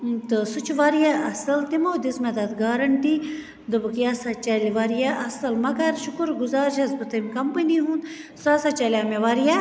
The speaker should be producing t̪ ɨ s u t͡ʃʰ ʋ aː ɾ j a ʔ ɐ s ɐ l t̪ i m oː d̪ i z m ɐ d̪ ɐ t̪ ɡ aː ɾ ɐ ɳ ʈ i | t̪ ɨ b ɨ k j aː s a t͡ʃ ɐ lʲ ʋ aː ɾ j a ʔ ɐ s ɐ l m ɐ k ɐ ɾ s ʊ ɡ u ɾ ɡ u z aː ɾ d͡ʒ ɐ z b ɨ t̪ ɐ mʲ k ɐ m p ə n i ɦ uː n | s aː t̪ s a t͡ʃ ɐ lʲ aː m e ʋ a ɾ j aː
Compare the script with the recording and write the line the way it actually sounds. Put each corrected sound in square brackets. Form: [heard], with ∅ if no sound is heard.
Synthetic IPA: t̪ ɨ s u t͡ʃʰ ʋ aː ɾ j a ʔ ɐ s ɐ l t̪ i m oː d̪ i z m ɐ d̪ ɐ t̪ ɡ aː ɾ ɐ ɳ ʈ i | [d̪] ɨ b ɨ k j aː s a t͡ʃ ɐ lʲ ʋ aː ɾ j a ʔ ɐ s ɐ l m ɐ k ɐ ɾ [ʃ] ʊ [k] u ɾ ɡ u z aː ɾ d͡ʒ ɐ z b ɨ t̪ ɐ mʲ k ɐ m p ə n i ɦ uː n | s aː [∅] s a t͡ʃ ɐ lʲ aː m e ʋ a ɾ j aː